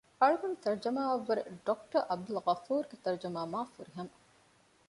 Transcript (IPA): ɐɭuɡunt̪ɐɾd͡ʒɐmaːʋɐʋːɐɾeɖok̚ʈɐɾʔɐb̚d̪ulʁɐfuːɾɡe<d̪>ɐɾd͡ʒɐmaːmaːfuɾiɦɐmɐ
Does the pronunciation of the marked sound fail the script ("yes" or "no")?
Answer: yes